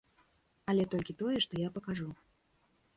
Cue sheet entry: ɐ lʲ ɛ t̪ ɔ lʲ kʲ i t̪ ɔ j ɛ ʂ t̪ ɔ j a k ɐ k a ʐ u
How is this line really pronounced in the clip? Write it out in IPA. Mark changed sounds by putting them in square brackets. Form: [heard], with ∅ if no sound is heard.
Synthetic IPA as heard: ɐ lʲ ɛ t̪ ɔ lʲ kʲ i t̪ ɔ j ɛ ʂ t̪ ɔ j a [p] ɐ k a ʐ u

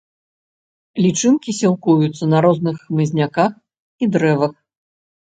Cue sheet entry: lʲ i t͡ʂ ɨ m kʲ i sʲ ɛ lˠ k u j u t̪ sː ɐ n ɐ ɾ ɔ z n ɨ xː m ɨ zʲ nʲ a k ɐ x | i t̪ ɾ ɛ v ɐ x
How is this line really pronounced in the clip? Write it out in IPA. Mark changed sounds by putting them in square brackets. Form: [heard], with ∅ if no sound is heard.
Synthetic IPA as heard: lʲ i t͡ʂ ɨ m kʲ i sʲ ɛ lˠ k u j u t̪ sː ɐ n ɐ ɾ ɔ z n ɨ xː m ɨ zʲ nʲ a k [a] x | i [d̪] ɾ ɛ v ɐ x

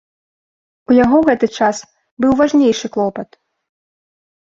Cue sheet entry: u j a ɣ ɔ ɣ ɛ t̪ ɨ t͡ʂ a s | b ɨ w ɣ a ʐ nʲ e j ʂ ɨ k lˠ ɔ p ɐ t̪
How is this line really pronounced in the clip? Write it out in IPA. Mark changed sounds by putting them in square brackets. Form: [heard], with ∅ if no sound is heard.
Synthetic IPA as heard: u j a ɣ ɔ ɣ ɛ t̪ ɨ t͡ʂ a s | b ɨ w [v] a ʐ nʲ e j ʂ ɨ k lˠ ɔ p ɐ t̪

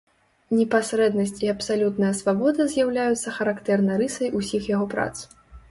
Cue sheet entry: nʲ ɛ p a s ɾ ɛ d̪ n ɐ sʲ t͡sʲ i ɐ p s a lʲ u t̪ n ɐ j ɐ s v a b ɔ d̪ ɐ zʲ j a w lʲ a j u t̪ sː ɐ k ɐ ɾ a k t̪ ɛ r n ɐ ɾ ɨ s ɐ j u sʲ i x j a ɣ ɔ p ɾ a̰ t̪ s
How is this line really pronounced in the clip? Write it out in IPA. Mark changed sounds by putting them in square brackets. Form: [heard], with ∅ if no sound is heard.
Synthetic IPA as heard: nʲ ɛ p a s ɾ ɛ d̪ n ɐ sʲ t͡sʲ i ɐ p s a lʲ u t̪ n ɐ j ɐ s v a b ɔ d̪ ɐ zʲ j a w lʲ a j u t̪ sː ɐ [x] ɐ ɾ a k t̪ ɛ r n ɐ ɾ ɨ s ɐ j u sʲ i x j a ɣ ɔ p ɾ a̰ t̪ s

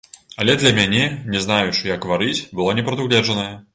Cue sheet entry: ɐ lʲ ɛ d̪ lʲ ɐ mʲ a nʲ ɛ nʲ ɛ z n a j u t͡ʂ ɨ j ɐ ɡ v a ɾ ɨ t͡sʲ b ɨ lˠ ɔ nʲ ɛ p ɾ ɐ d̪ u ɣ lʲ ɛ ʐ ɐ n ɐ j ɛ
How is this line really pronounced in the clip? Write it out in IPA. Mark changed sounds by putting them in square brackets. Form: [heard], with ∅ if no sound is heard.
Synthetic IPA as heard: ɐ lʲ ɛ d̪ lʲ ɐ mʲ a nʲ ɛ nʲ ɛ z n a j u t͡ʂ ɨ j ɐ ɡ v a ɾ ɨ t͡sʲ b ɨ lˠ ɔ nʲ ɛ p ɾ ɐ d̪ u ɣ lʲ ɛ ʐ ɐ n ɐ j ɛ

